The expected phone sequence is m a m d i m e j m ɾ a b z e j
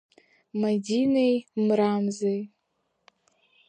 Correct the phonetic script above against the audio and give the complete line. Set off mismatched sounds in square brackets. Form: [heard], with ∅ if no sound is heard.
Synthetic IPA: m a [∅] d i [n] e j m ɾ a [m] z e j